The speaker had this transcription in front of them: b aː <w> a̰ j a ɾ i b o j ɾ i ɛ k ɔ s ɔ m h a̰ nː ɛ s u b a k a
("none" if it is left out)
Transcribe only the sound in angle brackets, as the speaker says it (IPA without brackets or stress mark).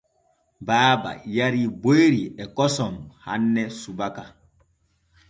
b